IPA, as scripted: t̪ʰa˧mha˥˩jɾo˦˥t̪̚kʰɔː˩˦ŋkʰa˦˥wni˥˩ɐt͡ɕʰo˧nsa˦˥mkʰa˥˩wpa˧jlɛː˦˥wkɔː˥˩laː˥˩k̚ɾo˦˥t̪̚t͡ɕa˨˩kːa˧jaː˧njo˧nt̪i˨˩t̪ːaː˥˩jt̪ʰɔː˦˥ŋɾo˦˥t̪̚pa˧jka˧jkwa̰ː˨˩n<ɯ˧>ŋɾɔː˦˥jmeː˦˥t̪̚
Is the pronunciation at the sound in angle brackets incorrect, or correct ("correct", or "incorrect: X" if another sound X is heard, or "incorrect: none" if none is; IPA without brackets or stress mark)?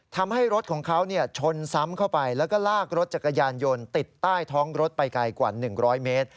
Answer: incorrect: ɯ˨˩